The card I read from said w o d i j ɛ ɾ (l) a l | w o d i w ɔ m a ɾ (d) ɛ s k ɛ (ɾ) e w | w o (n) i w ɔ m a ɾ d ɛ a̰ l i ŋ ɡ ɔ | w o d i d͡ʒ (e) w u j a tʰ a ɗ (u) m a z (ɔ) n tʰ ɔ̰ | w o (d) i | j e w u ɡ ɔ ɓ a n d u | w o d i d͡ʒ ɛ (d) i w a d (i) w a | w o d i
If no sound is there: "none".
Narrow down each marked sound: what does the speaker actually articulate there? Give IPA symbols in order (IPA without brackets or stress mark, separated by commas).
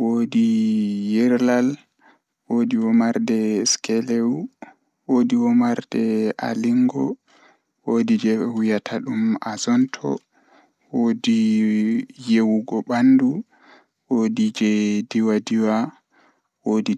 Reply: l, d, l, d, ɛ, u, ɔ, d, d, i